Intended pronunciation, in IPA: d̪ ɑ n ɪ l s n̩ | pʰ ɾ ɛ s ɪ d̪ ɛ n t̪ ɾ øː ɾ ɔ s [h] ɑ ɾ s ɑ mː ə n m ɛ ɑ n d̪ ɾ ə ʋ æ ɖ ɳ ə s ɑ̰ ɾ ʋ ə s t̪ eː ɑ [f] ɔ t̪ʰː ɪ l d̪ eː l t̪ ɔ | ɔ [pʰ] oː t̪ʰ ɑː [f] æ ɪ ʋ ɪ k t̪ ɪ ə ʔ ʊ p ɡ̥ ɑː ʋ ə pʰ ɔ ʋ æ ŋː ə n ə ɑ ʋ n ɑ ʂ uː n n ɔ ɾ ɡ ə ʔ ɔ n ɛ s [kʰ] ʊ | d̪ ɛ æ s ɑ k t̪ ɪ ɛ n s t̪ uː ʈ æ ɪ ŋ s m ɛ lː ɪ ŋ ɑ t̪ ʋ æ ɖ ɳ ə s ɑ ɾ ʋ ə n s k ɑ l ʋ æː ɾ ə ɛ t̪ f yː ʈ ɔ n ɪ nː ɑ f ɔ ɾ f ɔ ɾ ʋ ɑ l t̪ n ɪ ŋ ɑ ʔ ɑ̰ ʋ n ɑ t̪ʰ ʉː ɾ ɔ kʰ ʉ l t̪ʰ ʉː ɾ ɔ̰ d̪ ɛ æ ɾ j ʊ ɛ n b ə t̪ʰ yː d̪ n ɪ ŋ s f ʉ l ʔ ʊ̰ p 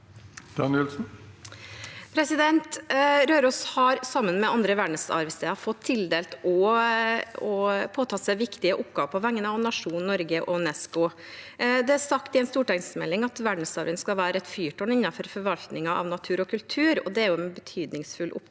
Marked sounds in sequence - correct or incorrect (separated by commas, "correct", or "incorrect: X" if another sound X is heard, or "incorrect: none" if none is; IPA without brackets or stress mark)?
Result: correct, correct, correct, incorrect: s, incorrect: k